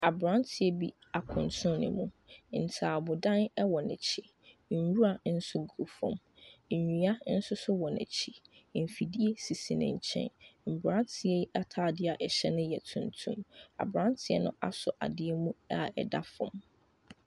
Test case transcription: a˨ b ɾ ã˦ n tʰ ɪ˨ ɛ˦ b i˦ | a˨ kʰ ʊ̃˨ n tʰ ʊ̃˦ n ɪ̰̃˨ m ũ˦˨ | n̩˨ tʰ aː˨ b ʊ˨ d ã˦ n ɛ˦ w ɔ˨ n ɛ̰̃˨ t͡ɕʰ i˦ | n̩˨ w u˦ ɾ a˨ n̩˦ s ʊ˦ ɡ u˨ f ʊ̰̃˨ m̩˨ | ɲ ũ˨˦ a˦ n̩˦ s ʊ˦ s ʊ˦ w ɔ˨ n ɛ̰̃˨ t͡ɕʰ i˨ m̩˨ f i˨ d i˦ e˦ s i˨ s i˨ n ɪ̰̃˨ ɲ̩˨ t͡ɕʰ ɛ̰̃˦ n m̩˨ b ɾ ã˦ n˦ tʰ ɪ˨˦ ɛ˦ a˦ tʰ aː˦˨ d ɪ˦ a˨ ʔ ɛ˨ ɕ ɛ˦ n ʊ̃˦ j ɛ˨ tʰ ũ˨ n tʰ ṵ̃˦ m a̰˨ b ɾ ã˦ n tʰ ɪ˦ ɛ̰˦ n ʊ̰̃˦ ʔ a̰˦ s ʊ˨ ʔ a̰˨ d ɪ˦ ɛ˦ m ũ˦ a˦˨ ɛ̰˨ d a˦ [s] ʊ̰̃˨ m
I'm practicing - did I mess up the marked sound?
yes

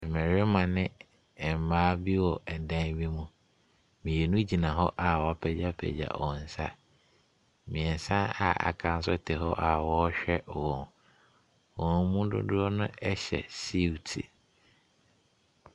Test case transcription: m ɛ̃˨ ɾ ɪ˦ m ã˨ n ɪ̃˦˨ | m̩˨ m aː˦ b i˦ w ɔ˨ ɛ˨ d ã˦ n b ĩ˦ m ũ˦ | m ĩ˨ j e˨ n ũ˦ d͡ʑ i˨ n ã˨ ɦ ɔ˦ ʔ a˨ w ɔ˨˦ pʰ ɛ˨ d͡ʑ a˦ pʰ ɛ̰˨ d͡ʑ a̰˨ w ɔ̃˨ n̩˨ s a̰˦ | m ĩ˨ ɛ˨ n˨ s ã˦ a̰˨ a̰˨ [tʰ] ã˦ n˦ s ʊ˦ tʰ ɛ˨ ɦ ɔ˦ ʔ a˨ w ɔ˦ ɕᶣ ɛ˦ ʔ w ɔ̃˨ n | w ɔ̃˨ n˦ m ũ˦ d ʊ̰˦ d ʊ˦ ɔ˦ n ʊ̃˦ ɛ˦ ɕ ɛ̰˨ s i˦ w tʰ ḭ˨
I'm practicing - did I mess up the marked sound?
yes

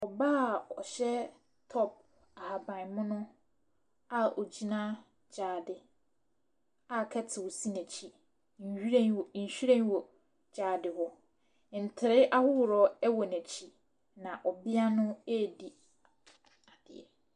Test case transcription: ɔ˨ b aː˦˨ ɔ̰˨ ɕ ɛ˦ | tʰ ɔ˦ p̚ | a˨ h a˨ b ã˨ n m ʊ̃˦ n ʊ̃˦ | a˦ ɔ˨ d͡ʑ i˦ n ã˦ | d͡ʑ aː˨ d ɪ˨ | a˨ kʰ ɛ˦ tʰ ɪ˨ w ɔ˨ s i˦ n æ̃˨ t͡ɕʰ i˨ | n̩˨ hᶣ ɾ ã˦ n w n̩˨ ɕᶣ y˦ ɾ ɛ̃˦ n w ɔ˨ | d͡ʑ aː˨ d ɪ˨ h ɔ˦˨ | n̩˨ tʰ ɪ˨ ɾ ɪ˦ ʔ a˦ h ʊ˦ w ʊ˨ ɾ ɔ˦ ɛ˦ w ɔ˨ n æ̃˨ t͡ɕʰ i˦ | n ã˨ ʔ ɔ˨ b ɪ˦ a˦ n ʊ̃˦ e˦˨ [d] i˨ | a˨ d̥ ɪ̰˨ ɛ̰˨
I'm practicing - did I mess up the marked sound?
no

